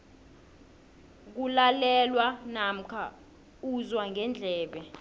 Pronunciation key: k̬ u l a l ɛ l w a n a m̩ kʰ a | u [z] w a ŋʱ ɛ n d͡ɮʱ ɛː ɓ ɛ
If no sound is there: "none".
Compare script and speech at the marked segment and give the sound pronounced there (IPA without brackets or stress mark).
z